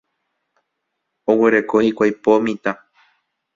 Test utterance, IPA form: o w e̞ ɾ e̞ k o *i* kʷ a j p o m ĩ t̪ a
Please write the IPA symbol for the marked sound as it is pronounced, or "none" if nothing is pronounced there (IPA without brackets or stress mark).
i